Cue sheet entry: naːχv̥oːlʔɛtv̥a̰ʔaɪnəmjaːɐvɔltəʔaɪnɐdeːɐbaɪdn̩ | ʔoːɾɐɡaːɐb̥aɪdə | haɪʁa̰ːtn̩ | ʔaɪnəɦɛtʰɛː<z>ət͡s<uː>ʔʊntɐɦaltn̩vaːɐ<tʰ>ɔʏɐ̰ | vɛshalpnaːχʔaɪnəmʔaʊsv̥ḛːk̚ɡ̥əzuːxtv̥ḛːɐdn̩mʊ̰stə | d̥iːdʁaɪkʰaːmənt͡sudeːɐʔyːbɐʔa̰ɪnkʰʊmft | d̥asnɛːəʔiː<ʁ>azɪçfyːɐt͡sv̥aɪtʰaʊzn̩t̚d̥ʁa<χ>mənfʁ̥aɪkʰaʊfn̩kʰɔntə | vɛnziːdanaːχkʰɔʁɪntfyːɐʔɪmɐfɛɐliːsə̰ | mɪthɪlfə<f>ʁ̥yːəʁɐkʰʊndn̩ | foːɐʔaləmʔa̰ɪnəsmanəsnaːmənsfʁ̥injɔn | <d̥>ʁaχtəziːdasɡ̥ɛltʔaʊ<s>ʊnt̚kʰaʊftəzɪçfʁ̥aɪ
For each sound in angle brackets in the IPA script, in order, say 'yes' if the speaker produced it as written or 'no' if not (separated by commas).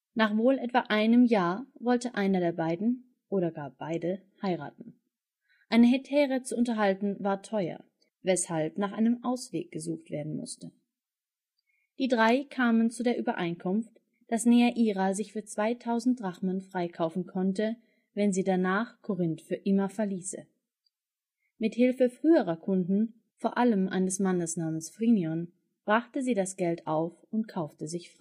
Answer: no, no, yes, yes, yes, yes, no, no